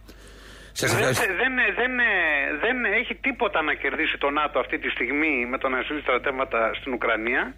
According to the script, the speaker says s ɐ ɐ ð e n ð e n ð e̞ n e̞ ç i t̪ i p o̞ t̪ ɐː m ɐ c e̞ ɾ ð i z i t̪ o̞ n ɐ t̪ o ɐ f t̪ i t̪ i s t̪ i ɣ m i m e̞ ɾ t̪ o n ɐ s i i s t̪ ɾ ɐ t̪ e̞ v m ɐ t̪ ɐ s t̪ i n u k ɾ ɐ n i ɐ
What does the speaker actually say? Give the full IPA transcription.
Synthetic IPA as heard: s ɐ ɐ ð e n ð e n ð e̞ n e̞ ç i t̪ i p o̞ t̪ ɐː n ɐ c e̞ ɾ ð i s i t̪ o̞ n ɐ t̪ o ɐ f t̪ i t̪ i s t̪ i ɣ m i m e̞ t̪ o n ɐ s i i s t̪ ɾ ɐ t̪ e̞ v m ɐ t̪ ɐ s t̪ i n u k ɾ ɐ n i ɐ